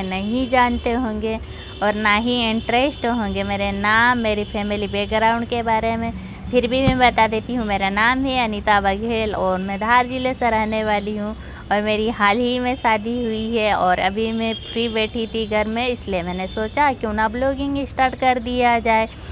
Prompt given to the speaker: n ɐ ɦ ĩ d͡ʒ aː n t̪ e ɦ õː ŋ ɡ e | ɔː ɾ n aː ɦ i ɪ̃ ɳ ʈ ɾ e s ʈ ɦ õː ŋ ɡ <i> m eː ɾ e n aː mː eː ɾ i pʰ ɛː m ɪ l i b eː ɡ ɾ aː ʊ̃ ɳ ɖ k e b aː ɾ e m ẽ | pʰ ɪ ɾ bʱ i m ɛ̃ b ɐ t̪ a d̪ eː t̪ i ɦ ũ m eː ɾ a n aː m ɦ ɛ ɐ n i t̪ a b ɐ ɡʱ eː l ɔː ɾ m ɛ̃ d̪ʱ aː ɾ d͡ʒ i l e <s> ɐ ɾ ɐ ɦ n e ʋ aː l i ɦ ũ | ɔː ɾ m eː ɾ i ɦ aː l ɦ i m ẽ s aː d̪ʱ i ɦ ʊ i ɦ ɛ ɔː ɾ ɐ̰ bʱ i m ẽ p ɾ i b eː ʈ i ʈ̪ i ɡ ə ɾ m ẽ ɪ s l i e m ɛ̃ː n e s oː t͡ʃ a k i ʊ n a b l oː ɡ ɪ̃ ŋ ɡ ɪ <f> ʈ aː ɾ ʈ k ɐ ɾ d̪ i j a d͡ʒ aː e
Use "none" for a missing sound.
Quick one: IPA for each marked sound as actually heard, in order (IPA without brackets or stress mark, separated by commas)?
e, s, s